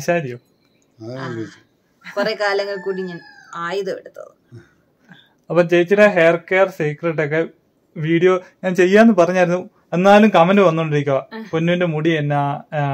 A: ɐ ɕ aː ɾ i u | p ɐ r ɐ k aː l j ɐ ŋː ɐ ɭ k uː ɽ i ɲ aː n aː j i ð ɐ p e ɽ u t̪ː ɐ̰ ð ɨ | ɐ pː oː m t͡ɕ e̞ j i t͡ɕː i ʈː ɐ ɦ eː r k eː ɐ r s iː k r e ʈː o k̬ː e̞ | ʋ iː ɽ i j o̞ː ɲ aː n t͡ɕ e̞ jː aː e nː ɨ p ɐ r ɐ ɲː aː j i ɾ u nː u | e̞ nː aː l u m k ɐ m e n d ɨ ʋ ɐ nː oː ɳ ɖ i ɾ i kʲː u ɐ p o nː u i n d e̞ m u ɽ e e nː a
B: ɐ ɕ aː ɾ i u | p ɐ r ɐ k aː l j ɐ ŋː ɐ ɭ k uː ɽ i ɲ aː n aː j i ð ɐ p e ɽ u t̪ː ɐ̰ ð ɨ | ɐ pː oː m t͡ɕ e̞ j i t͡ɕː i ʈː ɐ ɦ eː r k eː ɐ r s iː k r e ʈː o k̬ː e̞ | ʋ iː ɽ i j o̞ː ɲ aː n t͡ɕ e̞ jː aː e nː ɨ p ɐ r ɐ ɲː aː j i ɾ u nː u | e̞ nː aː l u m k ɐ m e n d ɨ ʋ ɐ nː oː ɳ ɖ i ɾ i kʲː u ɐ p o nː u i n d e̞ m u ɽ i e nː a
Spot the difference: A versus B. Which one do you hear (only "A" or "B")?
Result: B